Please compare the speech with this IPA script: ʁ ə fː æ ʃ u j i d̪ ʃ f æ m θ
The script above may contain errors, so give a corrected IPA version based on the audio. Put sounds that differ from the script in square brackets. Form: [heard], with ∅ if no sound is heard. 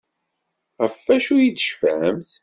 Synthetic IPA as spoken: ʁ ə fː æ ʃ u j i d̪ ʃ f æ m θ